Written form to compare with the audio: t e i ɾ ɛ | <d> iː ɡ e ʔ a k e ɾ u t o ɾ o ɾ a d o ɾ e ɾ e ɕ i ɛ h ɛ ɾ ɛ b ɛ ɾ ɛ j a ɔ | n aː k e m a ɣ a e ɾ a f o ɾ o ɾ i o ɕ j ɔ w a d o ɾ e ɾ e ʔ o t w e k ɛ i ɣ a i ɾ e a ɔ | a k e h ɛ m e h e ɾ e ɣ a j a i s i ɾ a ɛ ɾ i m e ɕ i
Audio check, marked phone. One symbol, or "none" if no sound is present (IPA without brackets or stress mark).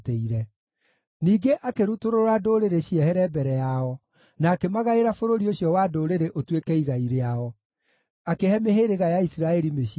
n